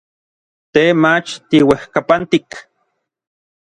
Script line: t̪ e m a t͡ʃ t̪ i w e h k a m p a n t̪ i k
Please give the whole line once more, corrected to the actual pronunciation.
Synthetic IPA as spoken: t̪ e m a t͡ʃ t̪ i w e h k a p a n t̪ i k